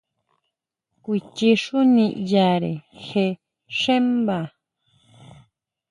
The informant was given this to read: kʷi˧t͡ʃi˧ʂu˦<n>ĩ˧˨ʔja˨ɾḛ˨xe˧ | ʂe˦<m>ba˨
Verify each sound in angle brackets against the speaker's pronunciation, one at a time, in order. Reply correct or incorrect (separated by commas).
correct, correct